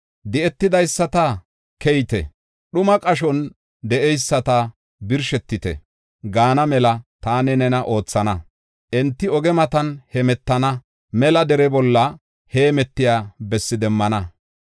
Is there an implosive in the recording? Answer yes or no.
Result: yes